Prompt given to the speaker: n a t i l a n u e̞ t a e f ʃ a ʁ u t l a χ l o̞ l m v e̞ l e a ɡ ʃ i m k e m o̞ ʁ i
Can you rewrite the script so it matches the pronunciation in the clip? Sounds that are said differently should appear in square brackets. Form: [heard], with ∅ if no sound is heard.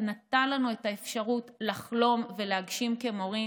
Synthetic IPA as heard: n a t [a] l a n u e̞ t a e f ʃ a ʁ u t l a χ l o̞ [∅] m v e̞ l e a ɡ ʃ i m k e m o̞ ʁ i